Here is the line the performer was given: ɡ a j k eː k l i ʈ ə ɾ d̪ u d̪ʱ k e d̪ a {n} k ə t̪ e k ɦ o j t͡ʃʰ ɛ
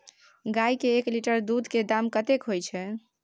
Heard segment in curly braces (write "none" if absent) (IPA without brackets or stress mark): m